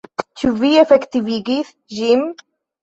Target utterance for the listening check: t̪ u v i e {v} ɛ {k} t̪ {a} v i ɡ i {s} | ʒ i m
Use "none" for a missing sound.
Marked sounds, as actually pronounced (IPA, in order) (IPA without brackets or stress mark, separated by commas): f, k, i, θ